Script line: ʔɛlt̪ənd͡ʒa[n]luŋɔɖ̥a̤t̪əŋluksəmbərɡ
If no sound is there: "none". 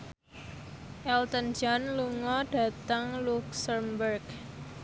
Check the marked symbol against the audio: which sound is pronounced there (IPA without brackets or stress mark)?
n